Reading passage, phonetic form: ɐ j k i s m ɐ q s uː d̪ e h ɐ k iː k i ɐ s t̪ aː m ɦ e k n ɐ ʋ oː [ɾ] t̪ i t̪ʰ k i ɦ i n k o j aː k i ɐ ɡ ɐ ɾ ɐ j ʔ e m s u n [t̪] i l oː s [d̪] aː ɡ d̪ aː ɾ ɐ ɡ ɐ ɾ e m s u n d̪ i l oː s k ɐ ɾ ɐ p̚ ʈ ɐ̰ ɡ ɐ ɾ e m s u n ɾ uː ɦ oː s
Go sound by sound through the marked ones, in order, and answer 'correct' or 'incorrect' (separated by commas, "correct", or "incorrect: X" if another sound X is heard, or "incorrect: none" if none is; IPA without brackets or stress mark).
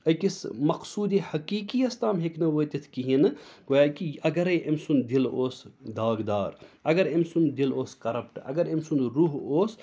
incorrect: none, incorrect: d̪, correct